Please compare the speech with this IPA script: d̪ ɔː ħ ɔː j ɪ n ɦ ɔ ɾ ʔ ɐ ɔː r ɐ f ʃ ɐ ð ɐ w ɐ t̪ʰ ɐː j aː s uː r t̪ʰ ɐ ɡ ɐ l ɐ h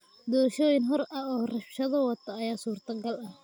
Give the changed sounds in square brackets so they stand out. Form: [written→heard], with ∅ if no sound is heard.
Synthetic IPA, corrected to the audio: d̪ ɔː [ħ→ʃ] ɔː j ɪ n ɦ ɔ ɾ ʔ ɐ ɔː r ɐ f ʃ ɐ ð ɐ w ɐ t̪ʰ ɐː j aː s uː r t̪ʰ ɐ ɡ ɐ l ɐ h